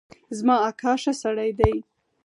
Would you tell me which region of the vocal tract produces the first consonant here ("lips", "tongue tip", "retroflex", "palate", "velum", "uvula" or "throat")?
tongue tip